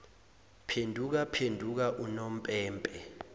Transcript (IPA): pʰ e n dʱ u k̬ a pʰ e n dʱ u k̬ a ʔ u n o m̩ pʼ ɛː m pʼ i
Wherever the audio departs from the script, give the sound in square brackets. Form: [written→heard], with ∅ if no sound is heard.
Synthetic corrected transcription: pʰ e n dʱ u k̬ a pʰ e n dʱ u k̬ a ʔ u n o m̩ pʼ ɛː m pʼ [i→ɛ]